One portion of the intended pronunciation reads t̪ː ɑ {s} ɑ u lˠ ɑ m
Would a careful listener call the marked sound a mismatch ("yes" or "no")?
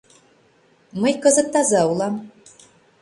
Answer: yes